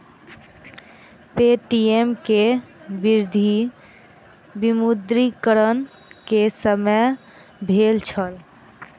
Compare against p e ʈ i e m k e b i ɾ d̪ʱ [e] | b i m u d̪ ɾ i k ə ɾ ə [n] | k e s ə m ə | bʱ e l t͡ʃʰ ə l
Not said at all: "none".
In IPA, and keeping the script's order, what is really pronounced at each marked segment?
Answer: i, n

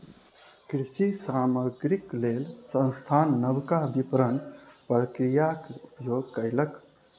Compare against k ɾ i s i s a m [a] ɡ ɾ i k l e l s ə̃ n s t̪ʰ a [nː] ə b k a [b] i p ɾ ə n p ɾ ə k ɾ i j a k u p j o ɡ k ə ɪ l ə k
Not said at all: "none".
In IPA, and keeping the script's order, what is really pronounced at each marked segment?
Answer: ə, nː, b

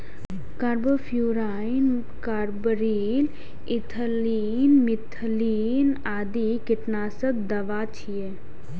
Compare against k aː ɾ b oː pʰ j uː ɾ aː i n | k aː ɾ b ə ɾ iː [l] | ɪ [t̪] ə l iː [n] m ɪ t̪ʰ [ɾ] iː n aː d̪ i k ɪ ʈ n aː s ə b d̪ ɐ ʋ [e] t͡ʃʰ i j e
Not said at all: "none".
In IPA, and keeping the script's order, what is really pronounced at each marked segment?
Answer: l, t̪ʰ, n, l, a

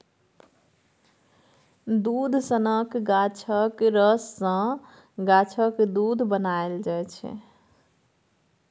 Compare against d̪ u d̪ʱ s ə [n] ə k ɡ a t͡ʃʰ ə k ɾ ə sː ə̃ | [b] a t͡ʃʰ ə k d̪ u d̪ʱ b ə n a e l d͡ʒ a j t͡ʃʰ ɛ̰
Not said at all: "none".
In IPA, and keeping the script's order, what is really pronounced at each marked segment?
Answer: n, ɡ

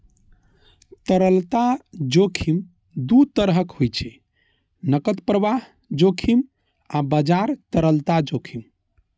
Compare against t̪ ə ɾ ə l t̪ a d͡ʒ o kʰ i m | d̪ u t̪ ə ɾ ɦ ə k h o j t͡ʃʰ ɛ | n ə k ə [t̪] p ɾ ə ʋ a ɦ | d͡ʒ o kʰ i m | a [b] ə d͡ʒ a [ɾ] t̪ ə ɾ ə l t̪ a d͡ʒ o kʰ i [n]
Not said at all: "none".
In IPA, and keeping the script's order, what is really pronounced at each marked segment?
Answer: t̪, b, ɾ, m

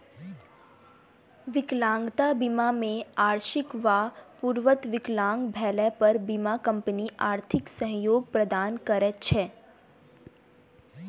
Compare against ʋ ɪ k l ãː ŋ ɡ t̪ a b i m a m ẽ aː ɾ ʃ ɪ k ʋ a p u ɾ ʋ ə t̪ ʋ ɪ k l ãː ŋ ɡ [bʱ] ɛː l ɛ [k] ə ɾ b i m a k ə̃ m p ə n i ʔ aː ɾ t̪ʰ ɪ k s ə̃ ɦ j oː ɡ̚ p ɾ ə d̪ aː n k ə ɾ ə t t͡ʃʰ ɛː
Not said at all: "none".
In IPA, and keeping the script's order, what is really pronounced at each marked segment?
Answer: bʱ, p

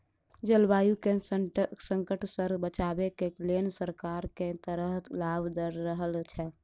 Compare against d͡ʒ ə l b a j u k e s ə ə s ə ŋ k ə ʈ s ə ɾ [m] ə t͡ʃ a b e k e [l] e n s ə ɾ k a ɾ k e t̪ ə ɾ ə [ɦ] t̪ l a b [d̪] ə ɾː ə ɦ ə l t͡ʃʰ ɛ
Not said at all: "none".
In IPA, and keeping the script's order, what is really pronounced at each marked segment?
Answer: b, l, ɦ, d̪

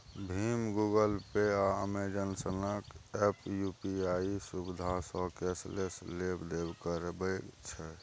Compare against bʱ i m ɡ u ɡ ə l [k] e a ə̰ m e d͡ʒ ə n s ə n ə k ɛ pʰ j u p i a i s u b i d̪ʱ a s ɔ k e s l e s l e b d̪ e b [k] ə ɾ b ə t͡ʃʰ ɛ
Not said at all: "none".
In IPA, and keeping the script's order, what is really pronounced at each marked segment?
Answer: p, k

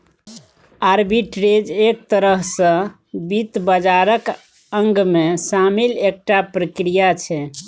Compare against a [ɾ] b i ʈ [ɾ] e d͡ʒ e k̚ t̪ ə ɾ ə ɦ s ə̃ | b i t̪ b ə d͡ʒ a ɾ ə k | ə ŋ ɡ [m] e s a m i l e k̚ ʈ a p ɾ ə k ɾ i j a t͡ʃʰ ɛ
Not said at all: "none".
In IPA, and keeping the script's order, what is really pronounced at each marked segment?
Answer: ɾ, ɾ, m

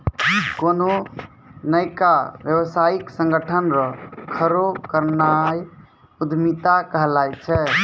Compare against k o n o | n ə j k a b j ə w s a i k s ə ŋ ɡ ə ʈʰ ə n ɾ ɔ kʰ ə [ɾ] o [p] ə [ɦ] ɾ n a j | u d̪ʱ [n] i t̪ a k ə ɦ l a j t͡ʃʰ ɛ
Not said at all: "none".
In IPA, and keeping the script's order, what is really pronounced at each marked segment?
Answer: ɾ, k, none, m

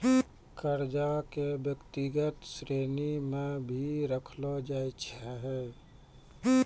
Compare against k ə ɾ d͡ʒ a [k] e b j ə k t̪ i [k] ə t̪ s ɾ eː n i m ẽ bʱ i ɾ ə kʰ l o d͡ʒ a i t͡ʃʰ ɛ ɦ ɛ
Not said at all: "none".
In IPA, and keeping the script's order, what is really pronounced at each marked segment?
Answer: k, ɡ

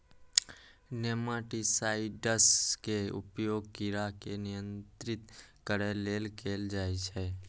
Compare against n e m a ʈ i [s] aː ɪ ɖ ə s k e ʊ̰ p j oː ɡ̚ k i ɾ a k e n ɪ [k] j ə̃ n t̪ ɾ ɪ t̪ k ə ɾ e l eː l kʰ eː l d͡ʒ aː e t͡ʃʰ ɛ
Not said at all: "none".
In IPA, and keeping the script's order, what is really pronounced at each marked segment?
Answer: s, none

